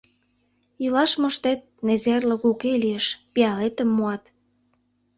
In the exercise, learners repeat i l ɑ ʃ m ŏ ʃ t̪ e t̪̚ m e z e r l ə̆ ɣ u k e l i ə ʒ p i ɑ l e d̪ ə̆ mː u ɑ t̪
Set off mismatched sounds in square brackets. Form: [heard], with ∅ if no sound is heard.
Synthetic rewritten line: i l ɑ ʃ m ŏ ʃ t̪ e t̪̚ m e z e r l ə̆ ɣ u k e l i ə [ʃ] p i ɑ l e [t̪] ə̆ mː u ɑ t̪